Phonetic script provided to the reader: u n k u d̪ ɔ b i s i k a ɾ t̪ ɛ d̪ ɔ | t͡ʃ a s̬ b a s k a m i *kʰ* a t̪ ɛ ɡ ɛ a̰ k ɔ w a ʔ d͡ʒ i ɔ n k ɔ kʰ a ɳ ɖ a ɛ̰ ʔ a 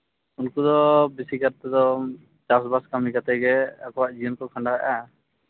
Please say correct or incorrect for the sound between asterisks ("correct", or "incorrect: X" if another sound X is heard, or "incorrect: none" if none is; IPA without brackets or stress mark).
incorrect: k